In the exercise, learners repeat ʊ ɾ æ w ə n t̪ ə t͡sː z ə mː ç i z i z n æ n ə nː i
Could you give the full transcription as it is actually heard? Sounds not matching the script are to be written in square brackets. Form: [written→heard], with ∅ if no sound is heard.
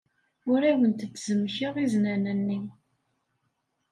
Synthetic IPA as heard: ʊ ɾ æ w ə n t̪ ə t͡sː z ə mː ç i [z→ʁ] i z n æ n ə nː i

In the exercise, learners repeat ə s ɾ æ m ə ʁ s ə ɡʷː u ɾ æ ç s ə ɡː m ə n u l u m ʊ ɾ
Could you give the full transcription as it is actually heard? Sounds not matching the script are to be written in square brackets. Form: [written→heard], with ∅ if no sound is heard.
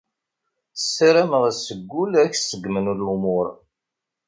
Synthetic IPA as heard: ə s ɾ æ m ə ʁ s ə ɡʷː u [ɾ→l] æ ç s ə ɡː m ə n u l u m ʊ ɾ

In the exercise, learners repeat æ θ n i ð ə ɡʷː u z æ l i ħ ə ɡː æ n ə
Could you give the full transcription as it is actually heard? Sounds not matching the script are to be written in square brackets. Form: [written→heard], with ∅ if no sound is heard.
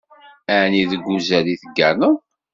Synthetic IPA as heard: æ [θ→∅] n i ð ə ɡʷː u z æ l i [ħ→θ] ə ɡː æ n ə

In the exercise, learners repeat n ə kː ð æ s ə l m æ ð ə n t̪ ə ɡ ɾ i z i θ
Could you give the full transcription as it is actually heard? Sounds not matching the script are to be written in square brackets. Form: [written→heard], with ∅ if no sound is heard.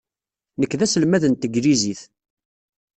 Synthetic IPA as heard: n ə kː ð æ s ə l m æ ð ə n t̪ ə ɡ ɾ i z i θ

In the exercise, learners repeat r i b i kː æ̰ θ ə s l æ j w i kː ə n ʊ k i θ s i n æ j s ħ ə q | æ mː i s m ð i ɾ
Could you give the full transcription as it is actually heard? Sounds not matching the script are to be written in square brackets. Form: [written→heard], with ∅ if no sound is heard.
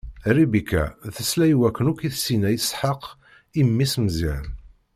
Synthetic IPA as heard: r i b i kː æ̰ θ ə s l æ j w [i→æ] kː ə n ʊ k i θ s i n æ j s ħ ə q | [æ→i] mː i s m [ð→z] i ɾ

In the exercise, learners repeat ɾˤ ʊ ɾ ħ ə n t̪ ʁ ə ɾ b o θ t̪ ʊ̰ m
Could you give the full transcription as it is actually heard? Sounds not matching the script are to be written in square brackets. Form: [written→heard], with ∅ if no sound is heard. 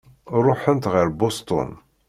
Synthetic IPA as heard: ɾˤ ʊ [ɾ→∅] ħ ə n t̪ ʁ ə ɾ b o [θ→s] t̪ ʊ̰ [m→n]

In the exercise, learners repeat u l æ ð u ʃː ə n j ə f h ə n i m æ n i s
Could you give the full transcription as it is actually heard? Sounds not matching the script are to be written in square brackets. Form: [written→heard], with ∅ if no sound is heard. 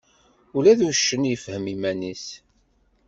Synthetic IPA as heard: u l æ ð u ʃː ə n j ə f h ə [n→m] i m æ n i s

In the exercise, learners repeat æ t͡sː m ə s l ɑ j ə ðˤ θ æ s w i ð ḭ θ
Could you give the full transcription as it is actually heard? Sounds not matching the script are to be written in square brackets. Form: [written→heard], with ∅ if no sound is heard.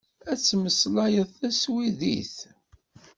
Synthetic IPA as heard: æ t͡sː m ə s l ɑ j ə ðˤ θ æ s w i ð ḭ θ

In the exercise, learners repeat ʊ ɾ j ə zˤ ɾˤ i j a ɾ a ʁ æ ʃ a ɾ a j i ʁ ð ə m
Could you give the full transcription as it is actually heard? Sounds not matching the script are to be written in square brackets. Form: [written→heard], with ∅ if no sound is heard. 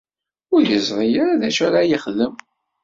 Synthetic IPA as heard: ʊ ɾ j ə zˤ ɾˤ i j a ɾ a [ʁ→ð] æ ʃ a ɾ a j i [ʁ→χ] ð ə m

